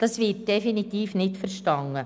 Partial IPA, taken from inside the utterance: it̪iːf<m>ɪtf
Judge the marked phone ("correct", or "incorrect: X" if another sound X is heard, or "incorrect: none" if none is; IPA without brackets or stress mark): incorrect: n